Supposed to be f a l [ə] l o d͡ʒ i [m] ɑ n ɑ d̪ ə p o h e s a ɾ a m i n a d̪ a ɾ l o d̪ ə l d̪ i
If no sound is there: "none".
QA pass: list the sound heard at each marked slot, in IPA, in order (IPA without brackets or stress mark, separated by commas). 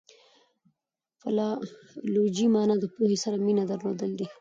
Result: ɑ, m